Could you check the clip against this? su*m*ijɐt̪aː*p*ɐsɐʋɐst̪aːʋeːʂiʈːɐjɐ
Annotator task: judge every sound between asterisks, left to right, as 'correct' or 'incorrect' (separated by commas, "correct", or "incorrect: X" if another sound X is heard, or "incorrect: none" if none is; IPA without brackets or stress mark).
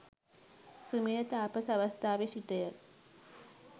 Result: correct, correct